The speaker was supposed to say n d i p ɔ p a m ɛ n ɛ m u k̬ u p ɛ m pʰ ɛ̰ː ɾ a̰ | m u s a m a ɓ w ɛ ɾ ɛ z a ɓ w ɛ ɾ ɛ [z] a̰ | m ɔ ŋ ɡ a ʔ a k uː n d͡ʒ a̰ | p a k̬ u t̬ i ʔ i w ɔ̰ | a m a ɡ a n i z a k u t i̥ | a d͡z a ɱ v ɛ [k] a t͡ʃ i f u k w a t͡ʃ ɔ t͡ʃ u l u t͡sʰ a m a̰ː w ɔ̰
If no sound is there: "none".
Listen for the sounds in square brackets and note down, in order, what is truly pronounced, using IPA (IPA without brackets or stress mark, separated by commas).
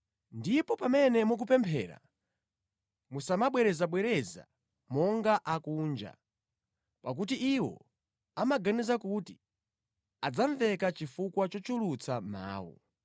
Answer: z, k